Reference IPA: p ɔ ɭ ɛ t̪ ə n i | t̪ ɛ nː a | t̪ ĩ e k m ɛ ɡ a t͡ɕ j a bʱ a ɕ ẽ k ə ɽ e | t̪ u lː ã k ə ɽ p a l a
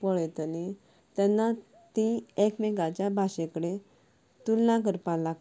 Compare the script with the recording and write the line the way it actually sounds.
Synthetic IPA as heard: p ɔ ɭ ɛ t̪ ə n i | t̪ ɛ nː a | t̪ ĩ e k m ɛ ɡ a t͡ɕ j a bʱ a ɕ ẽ k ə ɽ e | t̪ u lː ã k ə ɾ p a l a